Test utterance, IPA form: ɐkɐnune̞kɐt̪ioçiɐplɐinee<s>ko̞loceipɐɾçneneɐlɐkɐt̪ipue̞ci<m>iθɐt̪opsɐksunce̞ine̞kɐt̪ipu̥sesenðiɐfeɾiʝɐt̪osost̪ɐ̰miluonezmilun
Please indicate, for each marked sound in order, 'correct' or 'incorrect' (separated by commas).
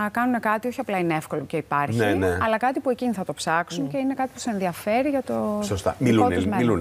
incorrect, incorrect